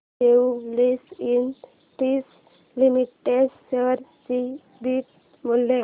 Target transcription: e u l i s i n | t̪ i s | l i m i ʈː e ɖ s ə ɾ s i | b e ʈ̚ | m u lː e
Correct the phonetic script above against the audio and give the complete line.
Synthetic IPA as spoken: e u l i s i n | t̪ i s | l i m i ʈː e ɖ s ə ɾ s i | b i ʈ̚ | m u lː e